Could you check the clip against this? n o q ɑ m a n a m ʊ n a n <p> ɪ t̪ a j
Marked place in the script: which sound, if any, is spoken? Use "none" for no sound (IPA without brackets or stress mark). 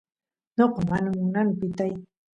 p